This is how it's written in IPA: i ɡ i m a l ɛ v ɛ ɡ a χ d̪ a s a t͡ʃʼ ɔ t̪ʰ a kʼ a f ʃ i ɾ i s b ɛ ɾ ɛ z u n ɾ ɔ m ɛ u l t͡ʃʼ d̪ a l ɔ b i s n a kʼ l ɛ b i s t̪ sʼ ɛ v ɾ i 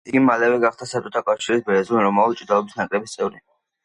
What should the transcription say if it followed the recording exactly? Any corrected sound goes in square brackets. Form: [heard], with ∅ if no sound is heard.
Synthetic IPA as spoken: i ɡ i m a l ɛ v ɛ ɡ a χ d̪ a s a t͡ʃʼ ɔ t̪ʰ a kʼ a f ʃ i ɾ i s b ɛ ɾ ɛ z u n ɾ ɔ m [a] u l t͡ʃʼ d̪ a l ɔ b i s n a kʼ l ɛ b i s t̪ sʼ ɛ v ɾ i